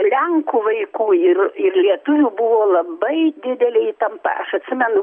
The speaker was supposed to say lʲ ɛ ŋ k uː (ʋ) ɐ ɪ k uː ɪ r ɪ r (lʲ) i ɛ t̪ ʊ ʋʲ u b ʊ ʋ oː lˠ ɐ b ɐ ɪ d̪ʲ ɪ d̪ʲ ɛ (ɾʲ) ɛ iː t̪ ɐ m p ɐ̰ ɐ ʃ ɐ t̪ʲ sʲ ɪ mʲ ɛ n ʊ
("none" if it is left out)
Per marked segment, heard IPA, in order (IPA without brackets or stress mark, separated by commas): ʋ, lʲ, lʲ